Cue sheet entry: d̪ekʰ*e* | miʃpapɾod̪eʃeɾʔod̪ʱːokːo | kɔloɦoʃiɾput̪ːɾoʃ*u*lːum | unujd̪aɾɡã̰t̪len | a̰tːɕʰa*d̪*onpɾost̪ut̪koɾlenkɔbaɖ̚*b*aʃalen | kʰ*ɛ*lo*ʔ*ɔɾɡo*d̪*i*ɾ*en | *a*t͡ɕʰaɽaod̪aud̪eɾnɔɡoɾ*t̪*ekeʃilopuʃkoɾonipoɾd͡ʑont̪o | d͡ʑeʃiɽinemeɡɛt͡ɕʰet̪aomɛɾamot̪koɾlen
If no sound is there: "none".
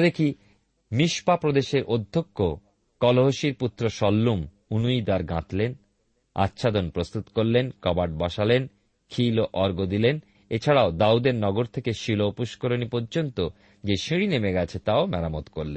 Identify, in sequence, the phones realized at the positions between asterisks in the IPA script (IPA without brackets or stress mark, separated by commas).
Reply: i, ɔ, d̪, b, i, ʔ, d̪, l, e, t̪ʰ